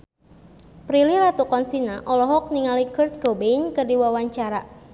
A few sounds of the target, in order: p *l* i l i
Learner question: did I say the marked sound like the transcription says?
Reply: no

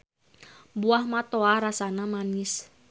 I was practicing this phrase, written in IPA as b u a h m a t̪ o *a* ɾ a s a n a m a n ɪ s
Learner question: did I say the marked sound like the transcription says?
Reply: yes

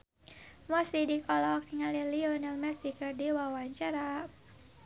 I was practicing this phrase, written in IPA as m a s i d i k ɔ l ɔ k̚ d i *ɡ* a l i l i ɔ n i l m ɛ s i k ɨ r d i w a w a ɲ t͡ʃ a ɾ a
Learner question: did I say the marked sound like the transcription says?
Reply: no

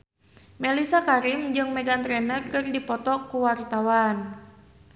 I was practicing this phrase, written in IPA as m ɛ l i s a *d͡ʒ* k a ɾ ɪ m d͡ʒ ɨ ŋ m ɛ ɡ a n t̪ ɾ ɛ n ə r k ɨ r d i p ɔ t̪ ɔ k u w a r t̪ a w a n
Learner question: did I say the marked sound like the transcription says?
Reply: no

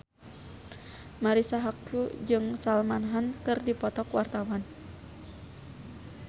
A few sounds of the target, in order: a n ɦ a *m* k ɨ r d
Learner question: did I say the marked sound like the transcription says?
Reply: no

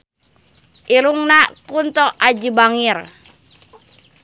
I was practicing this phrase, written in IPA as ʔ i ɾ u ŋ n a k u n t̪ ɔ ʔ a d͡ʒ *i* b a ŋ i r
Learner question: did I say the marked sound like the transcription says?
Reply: yes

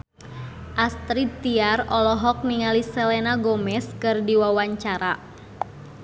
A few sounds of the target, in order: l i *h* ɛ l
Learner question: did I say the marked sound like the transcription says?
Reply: no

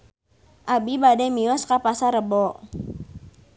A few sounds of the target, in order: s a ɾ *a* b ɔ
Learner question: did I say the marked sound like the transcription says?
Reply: no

